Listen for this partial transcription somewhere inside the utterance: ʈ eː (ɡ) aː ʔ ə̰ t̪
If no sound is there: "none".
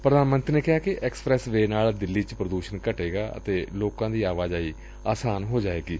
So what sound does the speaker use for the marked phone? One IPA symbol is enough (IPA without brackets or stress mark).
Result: ɡ